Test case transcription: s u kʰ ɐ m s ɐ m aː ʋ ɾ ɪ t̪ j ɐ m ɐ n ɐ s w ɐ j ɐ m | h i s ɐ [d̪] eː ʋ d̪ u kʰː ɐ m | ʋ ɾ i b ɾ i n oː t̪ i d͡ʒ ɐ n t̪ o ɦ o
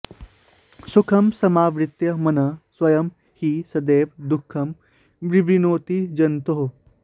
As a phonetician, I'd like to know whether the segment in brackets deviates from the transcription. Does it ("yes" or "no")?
no